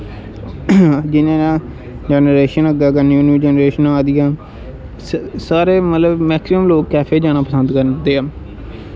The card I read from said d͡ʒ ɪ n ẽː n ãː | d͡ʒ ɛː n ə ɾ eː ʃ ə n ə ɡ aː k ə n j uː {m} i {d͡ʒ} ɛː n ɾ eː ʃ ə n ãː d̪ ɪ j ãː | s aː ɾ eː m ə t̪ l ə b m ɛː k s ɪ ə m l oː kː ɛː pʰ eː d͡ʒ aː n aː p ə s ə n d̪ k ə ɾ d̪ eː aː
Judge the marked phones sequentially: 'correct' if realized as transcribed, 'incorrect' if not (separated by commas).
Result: incorrect, correct